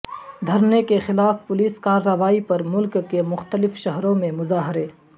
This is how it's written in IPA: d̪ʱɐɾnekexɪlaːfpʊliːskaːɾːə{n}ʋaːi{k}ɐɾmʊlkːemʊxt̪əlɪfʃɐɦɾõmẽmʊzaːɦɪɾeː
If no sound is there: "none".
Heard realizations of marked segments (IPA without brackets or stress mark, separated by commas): none, p